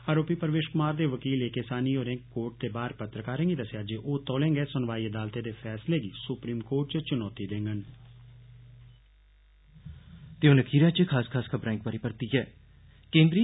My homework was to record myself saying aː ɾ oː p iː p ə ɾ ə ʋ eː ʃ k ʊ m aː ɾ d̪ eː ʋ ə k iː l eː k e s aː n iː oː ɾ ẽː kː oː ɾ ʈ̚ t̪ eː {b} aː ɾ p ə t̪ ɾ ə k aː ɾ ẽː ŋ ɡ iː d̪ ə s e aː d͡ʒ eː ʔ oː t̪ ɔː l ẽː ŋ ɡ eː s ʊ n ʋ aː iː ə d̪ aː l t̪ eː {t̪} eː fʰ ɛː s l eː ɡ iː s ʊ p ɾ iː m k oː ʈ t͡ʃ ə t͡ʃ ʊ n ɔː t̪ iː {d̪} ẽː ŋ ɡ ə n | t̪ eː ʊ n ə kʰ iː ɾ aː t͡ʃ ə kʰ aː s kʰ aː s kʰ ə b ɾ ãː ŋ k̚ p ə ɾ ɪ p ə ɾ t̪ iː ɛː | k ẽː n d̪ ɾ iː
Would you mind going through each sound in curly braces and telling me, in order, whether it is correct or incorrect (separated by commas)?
correct, incorrect, correct